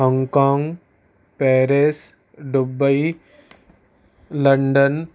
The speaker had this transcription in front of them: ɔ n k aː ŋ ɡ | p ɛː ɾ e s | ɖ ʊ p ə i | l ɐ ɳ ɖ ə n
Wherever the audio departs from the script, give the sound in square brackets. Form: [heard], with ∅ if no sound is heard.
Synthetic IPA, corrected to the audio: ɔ [ŋ] k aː ŋ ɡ | p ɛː ɾ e s | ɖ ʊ [b] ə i | l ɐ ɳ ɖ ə n